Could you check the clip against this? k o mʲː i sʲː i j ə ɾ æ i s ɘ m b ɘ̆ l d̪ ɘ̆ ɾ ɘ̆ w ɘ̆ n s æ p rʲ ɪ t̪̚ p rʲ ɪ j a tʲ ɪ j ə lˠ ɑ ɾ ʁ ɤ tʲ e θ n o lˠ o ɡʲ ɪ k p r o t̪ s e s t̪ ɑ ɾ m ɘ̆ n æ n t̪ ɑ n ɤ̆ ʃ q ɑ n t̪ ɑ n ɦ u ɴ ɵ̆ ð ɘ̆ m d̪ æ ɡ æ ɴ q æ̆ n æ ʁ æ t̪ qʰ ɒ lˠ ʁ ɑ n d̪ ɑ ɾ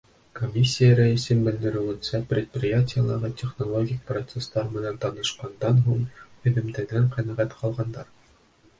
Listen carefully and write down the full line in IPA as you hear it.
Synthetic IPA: k o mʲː i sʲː i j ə ɾ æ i s ɘ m b ɘ̆ l d̪ ɘ̆ ɾ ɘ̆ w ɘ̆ n s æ p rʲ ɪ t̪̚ p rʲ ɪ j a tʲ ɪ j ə lˠ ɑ ɾ ʁ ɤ tʲ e χ n o lˠ o ɡʲ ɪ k p r o t̪ s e s t̪ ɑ ɾ m ɘ̆ n æ n t̪ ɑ n ɤ̆ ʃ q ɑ n d̪ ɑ n ɦ u ɴ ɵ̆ ð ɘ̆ m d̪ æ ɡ æ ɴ q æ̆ n æ ʁ æ t̪ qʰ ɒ lˠ ʁ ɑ n d̪ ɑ ɾ